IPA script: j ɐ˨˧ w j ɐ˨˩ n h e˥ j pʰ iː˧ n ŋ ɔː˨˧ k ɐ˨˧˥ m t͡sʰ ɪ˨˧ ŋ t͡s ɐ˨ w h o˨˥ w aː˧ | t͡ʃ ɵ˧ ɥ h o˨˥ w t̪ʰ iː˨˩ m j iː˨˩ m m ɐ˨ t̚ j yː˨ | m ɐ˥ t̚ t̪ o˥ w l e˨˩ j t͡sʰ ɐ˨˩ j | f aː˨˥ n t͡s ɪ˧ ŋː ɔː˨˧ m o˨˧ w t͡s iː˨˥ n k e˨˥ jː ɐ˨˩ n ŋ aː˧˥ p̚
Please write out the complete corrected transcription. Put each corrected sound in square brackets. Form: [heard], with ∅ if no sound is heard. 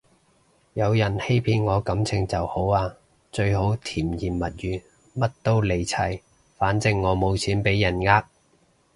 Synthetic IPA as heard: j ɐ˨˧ w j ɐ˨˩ n h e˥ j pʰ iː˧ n ŋ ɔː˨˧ k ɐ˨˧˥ m t͡sʰ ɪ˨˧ ŋ t͡s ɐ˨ w h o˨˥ w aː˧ | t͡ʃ ɵ˧ ɥ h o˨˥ w t̪ʰ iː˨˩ m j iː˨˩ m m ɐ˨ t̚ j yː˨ | m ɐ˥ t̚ t̪ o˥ w l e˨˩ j t͡sʰ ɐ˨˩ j | f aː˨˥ n t͡s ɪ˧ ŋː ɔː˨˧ m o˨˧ w [t͡sʰ] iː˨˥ n [p] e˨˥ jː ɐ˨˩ n ŋ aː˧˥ [k̚]